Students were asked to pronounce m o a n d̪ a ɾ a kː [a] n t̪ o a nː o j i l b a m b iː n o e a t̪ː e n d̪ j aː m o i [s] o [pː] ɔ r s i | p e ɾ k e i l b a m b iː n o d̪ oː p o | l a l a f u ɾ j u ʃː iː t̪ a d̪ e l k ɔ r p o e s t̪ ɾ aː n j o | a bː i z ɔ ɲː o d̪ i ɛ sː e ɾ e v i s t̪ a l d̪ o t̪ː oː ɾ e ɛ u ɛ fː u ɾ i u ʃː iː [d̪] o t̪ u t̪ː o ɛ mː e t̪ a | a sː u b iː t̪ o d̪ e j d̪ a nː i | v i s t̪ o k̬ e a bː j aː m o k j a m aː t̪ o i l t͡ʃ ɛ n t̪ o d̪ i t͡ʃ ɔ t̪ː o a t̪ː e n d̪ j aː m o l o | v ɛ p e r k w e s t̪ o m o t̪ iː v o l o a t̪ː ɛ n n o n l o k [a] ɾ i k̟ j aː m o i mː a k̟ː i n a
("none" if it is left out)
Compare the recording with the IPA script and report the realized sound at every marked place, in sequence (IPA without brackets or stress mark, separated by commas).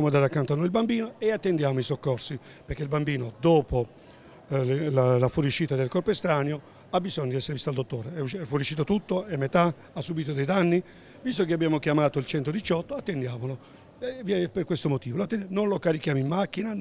a, s, kː, t̪, a